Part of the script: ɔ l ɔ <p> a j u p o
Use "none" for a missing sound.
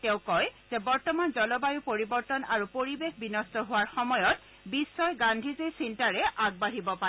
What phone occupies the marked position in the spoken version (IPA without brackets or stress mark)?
b